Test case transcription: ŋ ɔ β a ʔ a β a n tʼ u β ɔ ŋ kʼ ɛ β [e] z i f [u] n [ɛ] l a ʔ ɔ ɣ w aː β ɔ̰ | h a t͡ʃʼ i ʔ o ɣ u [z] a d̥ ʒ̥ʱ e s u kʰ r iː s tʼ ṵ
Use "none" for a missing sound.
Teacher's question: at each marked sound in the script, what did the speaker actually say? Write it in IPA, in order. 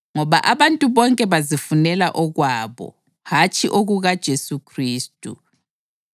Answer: a, u, ɛ, ɣ

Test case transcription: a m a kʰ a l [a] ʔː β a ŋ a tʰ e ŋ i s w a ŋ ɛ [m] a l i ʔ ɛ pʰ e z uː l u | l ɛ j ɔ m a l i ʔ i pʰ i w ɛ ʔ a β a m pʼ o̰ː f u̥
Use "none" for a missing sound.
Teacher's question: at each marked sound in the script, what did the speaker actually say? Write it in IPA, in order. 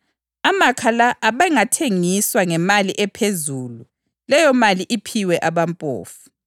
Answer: a, m

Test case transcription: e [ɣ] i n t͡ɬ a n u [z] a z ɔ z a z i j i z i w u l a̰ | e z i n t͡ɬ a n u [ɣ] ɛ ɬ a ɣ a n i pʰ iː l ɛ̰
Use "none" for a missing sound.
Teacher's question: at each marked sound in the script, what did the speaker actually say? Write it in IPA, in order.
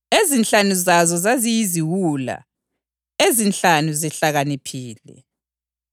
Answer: z, z, z

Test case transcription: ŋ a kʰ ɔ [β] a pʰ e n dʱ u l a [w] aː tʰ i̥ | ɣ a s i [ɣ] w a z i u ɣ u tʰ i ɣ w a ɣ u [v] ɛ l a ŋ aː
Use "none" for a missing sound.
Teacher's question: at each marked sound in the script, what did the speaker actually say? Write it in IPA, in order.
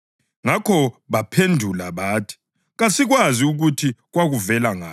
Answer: β, β, ɣ, v

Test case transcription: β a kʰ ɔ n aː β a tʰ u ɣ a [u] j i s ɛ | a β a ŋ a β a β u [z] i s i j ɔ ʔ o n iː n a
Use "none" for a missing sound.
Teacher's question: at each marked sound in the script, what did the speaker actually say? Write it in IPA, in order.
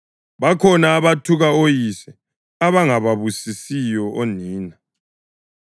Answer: o, s

